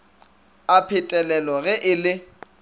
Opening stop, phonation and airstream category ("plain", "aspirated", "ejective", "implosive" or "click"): aspirated